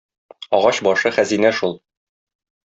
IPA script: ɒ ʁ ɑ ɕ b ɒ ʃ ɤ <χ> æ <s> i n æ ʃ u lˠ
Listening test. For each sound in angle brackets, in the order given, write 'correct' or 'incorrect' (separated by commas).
correct, incorrect